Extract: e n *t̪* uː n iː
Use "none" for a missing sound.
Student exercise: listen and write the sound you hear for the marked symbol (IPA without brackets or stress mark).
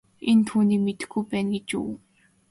t̪ʰ